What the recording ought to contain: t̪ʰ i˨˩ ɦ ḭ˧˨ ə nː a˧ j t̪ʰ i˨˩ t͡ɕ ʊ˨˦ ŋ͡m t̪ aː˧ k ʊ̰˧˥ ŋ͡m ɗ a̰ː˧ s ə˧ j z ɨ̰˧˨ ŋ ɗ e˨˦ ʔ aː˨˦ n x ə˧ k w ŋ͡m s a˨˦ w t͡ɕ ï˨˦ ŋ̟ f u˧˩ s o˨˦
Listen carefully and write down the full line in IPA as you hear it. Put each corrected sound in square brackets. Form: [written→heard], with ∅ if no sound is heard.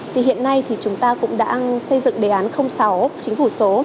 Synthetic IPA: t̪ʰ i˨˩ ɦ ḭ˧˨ ə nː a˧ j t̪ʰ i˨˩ t͡ɕ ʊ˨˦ ŋ͡m t̪ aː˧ k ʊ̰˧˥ ŋ͡m ɗ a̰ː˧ s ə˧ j z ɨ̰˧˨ ŋ ɗ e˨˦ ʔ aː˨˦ n x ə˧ [k→∅] w ŋ͡m s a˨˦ w t͡ɕ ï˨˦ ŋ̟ f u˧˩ s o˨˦